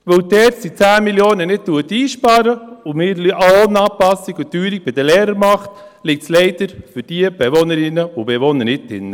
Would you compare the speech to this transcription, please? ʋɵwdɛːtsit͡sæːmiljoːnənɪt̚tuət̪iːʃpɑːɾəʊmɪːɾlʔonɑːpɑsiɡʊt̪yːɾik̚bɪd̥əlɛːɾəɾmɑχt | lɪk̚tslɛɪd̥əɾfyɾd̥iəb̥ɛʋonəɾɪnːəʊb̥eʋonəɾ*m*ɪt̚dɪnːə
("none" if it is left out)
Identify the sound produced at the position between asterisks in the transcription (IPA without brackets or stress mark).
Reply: n